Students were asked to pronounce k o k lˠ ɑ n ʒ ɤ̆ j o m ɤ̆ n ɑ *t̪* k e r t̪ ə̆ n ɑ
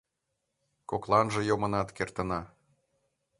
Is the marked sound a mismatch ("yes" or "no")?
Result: no